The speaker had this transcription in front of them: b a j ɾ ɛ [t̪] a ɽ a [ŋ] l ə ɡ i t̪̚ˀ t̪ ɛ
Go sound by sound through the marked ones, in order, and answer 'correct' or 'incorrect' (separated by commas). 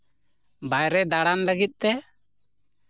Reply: incorrect, incorrect